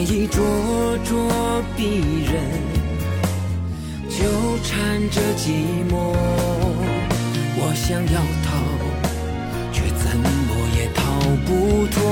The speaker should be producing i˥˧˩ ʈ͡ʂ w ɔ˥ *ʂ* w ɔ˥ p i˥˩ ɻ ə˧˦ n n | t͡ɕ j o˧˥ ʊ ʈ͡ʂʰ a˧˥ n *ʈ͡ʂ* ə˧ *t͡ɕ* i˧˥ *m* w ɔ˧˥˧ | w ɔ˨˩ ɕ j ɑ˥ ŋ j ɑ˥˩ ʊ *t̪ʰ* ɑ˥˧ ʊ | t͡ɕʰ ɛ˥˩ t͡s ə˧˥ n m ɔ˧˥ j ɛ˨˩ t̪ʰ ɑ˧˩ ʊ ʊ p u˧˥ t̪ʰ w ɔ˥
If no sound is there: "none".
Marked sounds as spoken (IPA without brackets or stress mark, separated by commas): ʈ͡ʂ, ʈ͡ʂ, t͡ɕ, m, t̪ʰ